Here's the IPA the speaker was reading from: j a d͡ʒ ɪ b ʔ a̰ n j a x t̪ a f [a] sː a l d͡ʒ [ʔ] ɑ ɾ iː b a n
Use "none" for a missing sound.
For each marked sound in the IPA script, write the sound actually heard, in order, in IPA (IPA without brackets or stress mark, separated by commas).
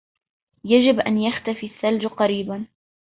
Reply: i, q